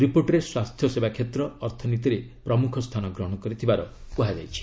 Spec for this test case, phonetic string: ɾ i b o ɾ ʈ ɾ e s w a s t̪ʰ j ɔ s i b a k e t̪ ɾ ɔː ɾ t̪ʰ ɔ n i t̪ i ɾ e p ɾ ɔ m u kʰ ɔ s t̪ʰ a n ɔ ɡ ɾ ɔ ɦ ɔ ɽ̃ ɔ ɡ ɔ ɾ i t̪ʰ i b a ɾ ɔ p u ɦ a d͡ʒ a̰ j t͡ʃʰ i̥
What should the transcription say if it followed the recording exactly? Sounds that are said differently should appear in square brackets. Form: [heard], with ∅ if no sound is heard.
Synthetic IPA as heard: ɾ i [p] o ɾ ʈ ɾ e s w a s t̪ʰ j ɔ s [e] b a [kʰ] e t̪ ɾ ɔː ɾ t̪ʰ ɔ n i t̪ i ɾ e p ɾ ɔ m u kʰ ɔ s t̪ʰ a n ɔ ɡ ɾ ɔ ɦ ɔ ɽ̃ ɔ [k] ɔ ɾ i t̪ʰ i b a ɾ ɔ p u ɦ a d͡ʒ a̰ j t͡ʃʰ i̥